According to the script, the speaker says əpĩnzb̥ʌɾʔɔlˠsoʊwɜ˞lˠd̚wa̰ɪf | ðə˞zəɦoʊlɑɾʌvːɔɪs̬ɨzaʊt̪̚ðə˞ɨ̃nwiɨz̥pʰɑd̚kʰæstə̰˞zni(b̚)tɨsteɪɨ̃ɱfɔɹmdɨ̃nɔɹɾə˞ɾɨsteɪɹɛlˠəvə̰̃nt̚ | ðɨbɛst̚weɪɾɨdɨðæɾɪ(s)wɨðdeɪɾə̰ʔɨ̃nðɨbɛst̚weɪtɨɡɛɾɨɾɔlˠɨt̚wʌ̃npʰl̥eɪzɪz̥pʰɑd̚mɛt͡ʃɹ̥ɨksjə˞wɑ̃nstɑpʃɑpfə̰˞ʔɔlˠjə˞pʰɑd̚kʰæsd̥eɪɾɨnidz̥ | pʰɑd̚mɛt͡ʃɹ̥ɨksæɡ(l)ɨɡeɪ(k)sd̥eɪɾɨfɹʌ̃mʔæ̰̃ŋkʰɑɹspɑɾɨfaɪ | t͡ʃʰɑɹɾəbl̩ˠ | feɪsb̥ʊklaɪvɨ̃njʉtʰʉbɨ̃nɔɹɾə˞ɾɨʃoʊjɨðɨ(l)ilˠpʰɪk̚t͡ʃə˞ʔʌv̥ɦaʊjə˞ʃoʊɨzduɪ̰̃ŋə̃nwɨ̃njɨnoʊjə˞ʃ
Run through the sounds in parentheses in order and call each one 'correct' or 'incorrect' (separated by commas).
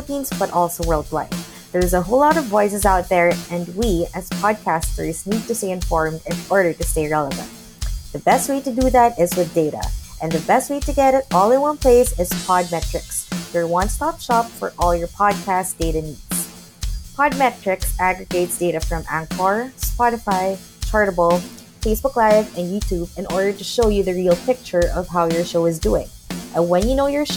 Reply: incorrect, incorrect, incorrect, incorrect, incorrect